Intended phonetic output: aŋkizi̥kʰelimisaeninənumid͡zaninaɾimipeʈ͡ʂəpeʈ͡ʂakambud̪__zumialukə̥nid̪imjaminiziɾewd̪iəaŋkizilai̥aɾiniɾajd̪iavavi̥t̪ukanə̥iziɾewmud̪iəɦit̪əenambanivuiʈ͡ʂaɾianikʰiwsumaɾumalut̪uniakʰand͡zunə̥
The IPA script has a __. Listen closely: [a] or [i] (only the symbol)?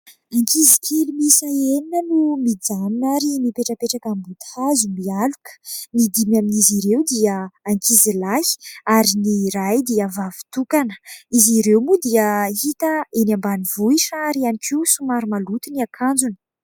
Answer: a